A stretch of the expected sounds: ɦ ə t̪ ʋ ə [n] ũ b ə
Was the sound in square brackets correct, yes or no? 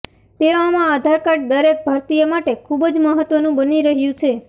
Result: yes